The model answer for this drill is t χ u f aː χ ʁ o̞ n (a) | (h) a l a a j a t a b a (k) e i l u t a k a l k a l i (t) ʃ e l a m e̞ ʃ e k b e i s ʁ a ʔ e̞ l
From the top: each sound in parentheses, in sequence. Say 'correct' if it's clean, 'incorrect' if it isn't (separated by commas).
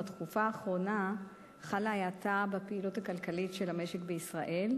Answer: correct, incorrect, incorrect, correct